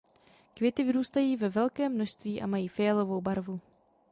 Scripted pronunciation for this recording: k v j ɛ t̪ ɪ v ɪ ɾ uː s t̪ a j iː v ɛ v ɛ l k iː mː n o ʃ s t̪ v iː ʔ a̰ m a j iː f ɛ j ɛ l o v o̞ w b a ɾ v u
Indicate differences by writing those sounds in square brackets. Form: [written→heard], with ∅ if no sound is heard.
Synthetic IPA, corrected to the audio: k v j ɛ t̪ ɪ v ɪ ɾ uː s t̪ a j iː v ɛ v ɛ l k [iː→ɛː] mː n o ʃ s t̪ v iː ʔ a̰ m a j iː f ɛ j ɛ l o v o̞ w b a ɾ v u